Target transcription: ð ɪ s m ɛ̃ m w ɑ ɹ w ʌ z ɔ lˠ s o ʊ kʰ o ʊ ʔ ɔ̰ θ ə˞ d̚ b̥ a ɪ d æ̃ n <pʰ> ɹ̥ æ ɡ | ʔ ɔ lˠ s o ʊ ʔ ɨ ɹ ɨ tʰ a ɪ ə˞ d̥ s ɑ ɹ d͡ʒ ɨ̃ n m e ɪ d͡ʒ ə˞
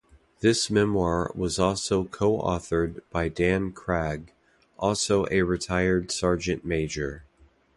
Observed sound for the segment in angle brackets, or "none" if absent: kʰ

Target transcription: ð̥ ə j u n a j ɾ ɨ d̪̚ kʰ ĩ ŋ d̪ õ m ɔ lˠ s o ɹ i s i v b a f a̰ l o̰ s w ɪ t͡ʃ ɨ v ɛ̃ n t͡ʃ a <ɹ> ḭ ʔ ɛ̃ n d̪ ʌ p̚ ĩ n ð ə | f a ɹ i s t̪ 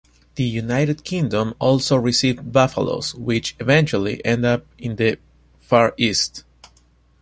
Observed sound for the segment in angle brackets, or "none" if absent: l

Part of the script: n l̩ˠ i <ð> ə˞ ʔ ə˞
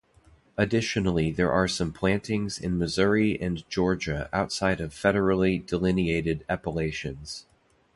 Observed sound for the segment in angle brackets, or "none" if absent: ð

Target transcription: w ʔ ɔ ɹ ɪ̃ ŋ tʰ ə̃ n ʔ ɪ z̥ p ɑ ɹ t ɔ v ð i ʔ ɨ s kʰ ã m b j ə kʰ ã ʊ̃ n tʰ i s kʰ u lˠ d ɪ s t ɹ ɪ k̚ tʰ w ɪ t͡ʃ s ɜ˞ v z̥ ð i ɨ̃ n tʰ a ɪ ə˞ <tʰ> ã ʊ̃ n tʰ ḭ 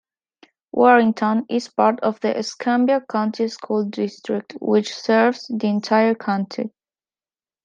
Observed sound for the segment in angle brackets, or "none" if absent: kʰ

